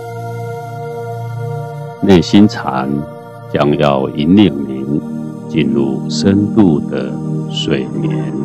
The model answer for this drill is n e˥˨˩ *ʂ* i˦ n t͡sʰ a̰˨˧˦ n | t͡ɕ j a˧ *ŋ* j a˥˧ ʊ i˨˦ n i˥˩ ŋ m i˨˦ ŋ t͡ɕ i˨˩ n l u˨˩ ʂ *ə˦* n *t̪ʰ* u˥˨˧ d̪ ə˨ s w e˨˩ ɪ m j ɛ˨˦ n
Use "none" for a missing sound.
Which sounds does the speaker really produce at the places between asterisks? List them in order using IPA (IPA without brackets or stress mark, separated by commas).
ɕ, ŋ, ə˦, t̪